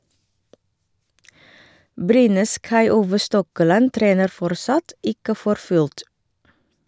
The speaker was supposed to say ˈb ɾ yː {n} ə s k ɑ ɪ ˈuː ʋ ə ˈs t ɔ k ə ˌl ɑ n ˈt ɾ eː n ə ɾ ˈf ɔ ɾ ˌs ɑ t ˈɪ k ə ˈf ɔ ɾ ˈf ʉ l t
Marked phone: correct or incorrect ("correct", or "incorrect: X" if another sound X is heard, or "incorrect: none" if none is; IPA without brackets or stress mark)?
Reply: correct